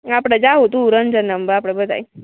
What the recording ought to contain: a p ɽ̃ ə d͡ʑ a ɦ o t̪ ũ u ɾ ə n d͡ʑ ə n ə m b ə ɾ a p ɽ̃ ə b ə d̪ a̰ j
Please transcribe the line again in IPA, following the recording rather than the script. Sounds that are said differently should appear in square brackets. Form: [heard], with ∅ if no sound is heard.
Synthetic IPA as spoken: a p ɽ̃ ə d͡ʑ a ɦ o t̪ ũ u ɾ ə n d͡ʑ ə n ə m b ə ɾ a p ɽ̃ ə b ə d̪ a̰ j